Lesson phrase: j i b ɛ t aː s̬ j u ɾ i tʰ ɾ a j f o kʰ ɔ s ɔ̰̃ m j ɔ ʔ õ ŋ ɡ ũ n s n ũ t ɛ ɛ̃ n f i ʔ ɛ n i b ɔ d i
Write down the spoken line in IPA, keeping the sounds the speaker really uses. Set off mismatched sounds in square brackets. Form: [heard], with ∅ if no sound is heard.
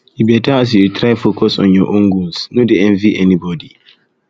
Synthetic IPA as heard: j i b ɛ t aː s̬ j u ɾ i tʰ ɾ a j f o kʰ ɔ s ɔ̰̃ [n] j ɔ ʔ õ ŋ ɡ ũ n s n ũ [d] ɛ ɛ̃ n [v] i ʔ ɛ n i b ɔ d i